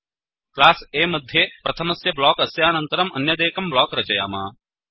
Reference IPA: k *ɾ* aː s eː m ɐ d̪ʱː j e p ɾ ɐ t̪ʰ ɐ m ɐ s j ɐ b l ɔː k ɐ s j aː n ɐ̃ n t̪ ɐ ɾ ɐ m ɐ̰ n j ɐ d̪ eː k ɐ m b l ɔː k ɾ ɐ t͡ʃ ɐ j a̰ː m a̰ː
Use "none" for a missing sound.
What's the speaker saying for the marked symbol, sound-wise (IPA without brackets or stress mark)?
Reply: l